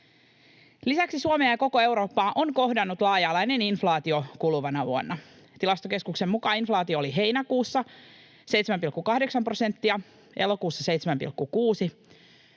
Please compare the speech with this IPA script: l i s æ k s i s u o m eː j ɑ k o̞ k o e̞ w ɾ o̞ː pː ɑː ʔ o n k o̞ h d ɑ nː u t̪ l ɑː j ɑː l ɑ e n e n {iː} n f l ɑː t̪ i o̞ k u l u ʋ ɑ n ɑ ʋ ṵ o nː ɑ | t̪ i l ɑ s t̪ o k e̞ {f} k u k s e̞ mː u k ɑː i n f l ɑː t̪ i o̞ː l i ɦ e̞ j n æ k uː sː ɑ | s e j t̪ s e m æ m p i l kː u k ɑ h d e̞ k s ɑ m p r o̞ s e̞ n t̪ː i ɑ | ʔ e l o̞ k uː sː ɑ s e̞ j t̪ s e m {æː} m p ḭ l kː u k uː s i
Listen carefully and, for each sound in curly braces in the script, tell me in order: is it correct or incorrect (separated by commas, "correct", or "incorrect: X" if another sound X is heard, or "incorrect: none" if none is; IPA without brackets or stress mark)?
incorrect: i, incorrect: s, incorrect: æ